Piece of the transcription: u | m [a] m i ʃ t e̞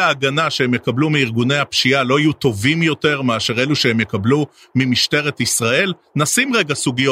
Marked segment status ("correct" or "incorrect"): incorrect